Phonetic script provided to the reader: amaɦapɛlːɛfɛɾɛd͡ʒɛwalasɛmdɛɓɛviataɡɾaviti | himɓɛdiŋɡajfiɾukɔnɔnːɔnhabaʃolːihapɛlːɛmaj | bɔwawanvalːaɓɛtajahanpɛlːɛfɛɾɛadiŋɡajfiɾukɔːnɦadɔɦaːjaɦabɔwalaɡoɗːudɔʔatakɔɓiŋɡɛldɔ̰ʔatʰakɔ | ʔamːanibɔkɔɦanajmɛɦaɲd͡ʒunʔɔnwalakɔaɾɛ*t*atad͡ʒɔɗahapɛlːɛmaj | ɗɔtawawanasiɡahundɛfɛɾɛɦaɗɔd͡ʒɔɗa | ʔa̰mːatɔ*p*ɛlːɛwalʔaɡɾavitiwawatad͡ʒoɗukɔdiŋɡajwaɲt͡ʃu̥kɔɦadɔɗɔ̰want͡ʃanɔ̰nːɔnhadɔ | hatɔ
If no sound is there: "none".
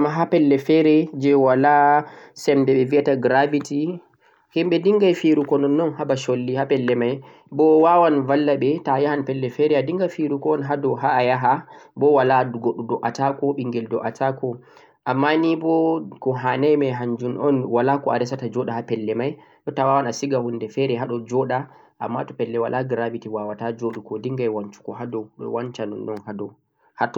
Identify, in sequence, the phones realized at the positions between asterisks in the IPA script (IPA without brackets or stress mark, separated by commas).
s, p